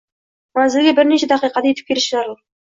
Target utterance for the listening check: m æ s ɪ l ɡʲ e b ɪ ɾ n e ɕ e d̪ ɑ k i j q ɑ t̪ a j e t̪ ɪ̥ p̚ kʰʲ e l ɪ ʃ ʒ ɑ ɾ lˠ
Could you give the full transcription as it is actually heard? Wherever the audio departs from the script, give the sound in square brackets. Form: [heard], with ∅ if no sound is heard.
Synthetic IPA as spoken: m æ [z] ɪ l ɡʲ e b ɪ ɾ n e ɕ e d̪ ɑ [q] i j q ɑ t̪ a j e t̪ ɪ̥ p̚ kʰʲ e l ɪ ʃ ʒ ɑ ɾ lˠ